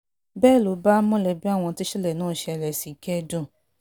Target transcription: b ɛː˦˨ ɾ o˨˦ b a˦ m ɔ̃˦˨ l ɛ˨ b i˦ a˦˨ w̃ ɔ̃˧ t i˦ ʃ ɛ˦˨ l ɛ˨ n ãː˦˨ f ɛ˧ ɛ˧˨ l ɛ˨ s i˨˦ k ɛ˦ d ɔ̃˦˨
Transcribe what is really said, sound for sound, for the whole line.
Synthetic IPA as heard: b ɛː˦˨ l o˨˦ b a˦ m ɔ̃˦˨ l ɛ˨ b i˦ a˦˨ w̃ ɔ̃˧ t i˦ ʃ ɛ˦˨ l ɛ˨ n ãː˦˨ ʃ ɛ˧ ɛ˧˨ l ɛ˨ s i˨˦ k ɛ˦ d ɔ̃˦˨